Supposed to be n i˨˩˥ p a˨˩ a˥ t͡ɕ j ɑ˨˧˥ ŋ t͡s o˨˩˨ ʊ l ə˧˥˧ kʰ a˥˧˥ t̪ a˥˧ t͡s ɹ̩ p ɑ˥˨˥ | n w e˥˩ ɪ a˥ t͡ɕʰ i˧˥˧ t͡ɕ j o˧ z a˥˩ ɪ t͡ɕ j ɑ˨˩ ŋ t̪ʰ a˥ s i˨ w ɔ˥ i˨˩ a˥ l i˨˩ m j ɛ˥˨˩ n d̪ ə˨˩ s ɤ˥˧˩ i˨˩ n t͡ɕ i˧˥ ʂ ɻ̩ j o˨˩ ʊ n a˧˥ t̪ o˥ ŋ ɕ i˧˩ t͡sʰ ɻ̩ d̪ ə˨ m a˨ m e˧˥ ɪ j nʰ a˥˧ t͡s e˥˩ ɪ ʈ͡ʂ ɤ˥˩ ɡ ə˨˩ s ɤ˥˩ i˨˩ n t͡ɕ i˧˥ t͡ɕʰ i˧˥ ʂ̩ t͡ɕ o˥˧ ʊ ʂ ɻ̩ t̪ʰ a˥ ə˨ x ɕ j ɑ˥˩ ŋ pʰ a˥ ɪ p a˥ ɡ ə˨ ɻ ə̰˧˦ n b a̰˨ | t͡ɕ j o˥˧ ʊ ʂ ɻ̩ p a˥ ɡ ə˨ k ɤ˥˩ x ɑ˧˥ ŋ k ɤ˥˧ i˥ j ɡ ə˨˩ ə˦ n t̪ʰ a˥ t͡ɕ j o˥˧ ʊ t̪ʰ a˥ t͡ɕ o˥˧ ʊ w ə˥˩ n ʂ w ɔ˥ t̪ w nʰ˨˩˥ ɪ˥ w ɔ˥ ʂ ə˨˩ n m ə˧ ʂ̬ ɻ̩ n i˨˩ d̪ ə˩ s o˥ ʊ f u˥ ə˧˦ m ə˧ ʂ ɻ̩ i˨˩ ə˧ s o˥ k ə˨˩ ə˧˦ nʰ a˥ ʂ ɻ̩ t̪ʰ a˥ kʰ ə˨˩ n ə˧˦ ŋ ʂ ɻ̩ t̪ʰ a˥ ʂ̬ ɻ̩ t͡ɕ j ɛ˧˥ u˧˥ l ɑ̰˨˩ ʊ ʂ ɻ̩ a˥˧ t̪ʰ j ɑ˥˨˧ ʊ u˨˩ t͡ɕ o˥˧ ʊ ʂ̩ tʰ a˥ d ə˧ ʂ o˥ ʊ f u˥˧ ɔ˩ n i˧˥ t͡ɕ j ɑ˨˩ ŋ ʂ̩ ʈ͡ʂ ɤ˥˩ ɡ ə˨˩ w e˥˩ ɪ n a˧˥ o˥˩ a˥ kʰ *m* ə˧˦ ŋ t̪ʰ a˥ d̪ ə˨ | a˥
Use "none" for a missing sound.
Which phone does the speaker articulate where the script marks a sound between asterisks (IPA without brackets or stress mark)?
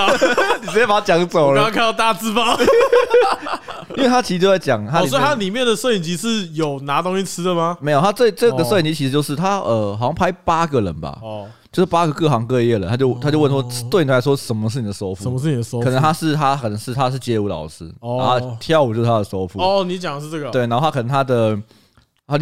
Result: n